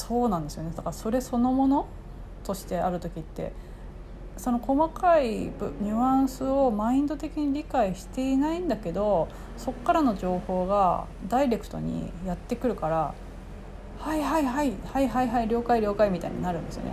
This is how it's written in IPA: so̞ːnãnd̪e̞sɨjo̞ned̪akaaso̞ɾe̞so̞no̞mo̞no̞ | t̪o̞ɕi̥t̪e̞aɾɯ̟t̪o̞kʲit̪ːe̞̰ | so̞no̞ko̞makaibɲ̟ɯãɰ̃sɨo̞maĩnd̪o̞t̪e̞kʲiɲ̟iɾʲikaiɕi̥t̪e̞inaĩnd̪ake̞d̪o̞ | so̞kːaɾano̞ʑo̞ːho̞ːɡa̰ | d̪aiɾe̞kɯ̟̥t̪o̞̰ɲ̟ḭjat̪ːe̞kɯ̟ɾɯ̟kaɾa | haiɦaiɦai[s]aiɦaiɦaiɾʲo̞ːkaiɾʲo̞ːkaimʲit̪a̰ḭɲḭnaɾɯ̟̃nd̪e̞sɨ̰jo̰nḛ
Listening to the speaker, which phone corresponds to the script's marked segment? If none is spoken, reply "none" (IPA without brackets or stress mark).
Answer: h